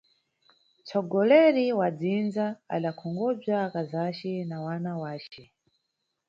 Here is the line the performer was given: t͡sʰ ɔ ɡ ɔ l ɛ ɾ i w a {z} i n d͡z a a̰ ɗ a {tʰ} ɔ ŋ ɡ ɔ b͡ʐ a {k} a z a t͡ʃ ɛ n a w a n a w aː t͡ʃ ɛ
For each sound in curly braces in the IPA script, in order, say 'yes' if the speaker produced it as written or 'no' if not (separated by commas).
no, no, yes